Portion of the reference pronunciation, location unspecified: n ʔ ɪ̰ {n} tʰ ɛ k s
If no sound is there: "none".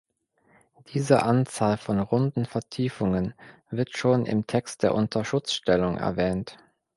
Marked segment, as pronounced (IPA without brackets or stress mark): m